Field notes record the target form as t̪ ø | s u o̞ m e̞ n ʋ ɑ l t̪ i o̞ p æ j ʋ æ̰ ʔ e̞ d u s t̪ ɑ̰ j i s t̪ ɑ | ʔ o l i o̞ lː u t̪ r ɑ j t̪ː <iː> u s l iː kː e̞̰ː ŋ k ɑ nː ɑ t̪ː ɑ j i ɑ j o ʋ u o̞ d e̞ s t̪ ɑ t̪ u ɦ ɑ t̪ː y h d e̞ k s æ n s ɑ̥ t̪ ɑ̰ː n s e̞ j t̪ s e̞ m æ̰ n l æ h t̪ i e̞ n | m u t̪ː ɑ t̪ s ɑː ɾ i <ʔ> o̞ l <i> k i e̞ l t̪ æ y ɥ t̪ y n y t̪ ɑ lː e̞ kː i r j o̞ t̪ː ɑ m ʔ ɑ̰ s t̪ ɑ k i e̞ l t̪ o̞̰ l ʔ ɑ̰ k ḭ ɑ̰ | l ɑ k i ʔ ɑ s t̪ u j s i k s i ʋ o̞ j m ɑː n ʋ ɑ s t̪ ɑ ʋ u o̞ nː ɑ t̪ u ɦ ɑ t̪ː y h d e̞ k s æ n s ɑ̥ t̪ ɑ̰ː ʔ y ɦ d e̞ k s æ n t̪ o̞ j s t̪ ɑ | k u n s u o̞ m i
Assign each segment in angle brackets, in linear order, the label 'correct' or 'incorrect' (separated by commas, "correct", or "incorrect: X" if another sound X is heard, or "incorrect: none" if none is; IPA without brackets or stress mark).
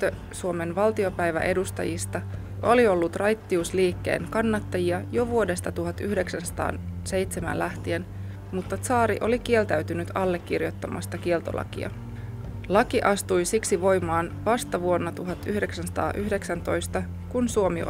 incorrect: i, correct, correct